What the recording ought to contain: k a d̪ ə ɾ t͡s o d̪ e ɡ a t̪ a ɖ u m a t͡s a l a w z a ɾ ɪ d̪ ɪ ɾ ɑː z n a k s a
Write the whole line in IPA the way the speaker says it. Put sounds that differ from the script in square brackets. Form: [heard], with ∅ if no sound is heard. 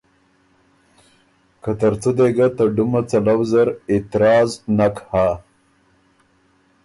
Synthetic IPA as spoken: k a [t̪] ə ɾ t͡s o d̪ e ɡ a t̪ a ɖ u m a t͡s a l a w z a ɾ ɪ [t̪] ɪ ɾ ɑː z n a k [h] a